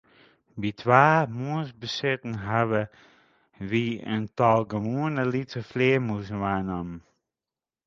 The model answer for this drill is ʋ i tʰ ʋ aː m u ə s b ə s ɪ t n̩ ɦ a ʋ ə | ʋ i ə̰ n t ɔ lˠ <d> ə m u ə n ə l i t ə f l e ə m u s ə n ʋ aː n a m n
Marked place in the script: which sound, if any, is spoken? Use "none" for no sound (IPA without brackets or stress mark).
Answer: ɡ